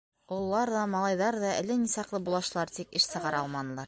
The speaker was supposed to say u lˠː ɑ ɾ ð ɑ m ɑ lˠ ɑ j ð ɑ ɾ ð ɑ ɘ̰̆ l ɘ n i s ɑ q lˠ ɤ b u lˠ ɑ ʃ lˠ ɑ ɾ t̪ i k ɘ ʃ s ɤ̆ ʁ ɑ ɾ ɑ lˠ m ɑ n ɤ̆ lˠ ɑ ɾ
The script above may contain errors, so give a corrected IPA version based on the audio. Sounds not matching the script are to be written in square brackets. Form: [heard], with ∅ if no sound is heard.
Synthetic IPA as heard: u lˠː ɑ ɾ ð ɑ m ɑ lˠ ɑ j ð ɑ ɾ ð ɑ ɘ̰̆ l ɘ n i s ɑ q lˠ ɤ b u lˠ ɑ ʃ lˠ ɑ ɾ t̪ i k ɘ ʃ s ɤ̆ ʁ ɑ ɾ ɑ lˠ m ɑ n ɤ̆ lˠ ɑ ɾ